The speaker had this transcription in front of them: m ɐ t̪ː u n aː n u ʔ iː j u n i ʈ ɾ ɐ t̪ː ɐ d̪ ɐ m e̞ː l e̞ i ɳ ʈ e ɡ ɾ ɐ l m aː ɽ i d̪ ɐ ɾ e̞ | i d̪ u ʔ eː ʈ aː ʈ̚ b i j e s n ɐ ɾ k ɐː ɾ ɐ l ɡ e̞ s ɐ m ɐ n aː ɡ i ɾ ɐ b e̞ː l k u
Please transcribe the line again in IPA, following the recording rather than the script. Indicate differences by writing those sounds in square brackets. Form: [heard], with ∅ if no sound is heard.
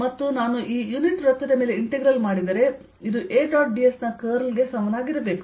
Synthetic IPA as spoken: m ɐ t̪ː u n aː n u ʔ iː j u n i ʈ ɾ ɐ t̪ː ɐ d̪ ɐ m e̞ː l e̞ i ɳ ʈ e ɡ ɾ ɐ l m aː ɽ i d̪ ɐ ɾ e̞ | i d̪ u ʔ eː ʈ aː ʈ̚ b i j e s n ɐ [∅] k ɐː ɾ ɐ l ɡ e̞ s ɐ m ɐ n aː ɡ i ɾ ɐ b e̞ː [∅] k u